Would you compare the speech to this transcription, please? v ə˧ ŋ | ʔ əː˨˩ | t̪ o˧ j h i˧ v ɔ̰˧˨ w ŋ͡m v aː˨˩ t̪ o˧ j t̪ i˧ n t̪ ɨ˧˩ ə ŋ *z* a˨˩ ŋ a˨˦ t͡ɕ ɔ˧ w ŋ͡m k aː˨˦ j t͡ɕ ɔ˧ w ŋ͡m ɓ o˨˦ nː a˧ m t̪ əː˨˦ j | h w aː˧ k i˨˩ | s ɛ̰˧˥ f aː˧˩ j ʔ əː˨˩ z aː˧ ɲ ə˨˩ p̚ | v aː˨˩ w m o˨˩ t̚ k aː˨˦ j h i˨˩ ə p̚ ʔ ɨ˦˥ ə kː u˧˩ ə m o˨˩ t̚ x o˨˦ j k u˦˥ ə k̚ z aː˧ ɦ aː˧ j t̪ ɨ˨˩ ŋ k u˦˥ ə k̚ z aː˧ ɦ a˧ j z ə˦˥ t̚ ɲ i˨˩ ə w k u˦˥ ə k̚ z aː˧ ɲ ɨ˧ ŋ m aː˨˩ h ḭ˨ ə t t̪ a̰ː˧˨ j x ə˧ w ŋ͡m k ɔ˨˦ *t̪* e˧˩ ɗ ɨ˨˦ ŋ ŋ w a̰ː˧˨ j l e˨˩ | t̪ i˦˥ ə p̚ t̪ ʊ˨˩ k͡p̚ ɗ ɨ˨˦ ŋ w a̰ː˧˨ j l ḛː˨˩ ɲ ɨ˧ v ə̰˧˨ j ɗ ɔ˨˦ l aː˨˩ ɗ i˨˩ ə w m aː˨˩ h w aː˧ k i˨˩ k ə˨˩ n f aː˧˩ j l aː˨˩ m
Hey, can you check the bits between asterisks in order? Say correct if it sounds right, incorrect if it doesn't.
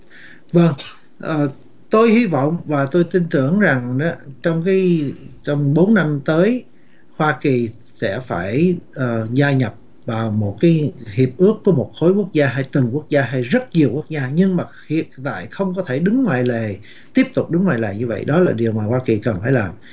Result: correct, incorrect: t̪ʰ

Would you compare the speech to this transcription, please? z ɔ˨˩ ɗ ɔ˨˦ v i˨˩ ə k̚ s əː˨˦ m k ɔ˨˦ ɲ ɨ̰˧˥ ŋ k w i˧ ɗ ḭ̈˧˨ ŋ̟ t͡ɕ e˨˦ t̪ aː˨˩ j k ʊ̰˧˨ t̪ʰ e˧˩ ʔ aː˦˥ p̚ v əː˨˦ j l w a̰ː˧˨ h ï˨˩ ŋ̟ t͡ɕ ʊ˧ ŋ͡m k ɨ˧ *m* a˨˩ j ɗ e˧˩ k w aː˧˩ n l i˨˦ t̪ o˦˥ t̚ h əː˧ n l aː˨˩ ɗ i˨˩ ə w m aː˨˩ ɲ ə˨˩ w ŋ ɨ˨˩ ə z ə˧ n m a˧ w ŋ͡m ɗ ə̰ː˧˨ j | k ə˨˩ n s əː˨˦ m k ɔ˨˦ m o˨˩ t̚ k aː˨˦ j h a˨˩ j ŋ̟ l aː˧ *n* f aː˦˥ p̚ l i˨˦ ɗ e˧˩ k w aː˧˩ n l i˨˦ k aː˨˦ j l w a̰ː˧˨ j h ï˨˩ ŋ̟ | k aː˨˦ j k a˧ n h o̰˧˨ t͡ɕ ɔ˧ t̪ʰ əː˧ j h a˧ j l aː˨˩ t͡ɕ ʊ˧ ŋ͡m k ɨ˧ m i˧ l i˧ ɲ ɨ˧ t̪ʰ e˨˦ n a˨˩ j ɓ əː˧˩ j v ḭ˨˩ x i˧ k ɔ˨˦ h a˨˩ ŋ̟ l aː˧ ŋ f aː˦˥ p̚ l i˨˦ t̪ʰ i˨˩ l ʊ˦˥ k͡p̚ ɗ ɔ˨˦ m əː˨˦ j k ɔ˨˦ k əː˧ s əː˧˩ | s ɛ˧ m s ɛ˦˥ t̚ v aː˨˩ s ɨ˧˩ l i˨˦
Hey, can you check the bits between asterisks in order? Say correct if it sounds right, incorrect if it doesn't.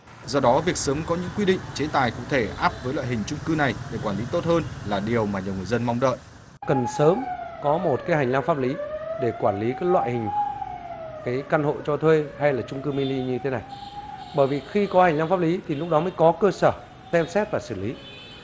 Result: incorrect: n, incorrect: ŋ

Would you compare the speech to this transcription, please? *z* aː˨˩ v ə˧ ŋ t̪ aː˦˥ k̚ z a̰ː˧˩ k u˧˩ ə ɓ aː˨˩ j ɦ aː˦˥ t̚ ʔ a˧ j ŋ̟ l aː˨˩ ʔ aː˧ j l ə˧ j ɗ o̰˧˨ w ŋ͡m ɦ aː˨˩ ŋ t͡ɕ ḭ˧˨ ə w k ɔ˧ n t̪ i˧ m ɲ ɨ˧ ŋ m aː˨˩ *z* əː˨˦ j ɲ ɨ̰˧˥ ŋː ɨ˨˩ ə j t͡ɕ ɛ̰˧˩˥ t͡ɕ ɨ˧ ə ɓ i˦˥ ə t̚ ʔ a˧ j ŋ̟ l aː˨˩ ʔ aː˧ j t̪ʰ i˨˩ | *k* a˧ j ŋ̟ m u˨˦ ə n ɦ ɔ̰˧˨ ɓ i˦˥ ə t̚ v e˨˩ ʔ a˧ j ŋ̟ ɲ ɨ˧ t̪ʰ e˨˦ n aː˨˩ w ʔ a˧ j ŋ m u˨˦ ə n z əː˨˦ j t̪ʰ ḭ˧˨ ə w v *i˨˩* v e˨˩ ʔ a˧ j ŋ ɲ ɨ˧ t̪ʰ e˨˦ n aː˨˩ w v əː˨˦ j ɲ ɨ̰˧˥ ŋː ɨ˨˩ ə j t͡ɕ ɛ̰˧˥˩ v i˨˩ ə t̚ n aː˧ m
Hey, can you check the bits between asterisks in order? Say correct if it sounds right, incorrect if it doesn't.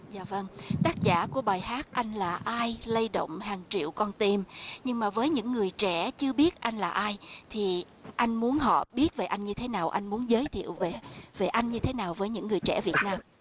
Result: correct, incorrect: v, incorrect: ʔ, incorrect: e˨˩

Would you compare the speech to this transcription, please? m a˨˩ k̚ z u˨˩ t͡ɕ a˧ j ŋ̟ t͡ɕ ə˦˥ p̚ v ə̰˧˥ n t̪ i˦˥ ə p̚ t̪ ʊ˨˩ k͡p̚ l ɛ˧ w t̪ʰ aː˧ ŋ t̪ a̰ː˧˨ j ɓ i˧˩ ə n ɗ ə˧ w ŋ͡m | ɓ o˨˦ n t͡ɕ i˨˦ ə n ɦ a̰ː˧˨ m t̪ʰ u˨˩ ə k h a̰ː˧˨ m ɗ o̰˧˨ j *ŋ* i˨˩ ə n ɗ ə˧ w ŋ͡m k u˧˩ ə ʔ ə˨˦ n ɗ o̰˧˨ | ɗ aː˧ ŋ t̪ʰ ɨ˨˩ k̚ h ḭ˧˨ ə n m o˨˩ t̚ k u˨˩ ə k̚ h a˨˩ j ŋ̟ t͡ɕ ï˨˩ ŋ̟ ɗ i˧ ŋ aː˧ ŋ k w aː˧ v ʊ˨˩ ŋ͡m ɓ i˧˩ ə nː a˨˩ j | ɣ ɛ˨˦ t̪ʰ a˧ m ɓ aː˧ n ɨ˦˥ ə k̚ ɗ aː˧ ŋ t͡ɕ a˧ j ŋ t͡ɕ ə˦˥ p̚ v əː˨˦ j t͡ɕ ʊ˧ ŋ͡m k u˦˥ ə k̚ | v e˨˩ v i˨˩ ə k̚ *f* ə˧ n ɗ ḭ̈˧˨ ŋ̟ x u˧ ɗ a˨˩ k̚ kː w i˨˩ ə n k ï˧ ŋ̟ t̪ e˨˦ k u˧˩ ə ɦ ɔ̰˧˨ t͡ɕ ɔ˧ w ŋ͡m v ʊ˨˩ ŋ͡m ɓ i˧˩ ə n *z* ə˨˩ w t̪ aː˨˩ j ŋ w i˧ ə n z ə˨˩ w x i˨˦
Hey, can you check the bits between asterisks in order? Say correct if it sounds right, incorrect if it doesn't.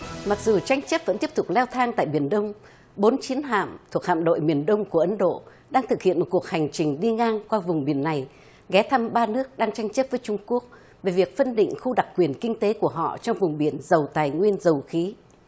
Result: incorrect: m, correct, correct

